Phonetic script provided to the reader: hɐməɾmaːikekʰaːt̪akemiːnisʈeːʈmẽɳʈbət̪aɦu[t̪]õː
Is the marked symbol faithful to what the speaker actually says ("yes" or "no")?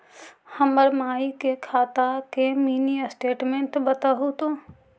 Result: yes